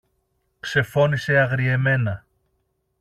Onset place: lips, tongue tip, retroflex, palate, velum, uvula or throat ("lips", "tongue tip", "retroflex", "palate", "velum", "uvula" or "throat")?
velum